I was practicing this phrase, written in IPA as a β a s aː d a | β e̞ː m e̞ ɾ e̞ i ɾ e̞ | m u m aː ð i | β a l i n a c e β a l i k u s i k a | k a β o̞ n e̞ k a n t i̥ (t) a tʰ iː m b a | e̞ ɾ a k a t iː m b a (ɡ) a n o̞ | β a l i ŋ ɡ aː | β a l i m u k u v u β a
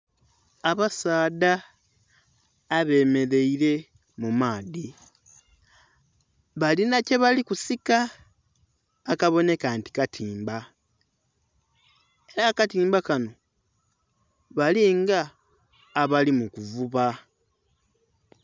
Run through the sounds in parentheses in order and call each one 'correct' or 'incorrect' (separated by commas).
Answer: incorrect, incorrect